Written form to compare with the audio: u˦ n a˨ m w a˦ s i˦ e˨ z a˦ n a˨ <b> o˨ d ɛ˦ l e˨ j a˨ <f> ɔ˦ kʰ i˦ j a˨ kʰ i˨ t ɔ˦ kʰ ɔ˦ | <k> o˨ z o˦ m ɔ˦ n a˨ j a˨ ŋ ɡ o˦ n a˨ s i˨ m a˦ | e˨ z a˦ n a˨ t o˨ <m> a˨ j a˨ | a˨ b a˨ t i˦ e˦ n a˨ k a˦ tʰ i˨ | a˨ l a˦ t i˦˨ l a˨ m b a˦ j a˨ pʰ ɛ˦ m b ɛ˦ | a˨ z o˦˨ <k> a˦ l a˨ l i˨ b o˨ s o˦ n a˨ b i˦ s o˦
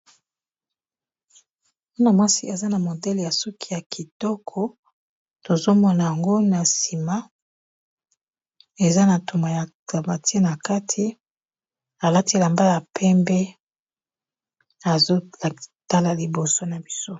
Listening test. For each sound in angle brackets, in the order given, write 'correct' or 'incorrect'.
incorrect: m, incorrect: s, incorrect: t, correct, incorrect: t

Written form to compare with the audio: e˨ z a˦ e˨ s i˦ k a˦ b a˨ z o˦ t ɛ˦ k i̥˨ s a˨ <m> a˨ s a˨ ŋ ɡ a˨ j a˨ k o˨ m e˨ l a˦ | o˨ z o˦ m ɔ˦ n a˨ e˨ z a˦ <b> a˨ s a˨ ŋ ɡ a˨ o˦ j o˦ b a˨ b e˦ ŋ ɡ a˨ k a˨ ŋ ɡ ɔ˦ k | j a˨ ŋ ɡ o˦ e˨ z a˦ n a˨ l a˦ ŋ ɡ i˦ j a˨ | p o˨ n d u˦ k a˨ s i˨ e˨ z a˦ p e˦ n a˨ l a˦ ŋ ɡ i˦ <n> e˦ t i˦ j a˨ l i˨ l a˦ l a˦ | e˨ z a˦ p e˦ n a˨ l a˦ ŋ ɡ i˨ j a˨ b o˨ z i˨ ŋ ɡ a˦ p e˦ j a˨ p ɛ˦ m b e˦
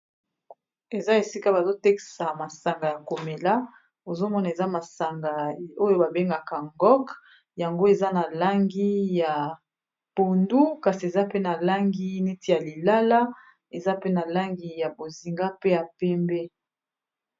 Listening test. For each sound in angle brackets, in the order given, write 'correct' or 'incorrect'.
correct, incorrect: m, correct

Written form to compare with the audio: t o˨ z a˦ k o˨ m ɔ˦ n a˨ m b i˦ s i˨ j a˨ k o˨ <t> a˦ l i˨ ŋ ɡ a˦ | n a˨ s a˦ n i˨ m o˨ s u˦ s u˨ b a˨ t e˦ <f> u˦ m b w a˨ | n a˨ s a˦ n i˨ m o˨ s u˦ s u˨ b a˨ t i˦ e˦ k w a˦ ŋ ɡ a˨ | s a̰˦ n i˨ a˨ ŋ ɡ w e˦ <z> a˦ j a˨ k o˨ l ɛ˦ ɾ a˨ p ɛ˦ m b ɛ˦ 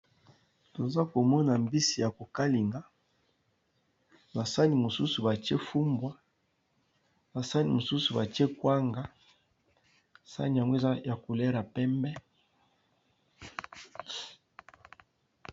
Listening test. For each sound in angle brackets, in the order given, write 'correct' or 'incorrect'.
incorrect: k, correct, correct

